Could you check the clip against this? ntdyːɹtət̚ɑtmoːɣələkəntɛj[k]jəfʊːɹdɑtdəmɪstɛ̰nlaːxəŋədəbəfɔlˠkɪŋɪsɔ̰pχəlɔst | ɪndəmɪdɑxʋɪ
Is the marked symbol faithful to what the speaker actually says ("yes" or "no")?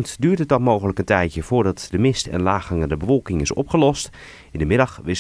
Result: no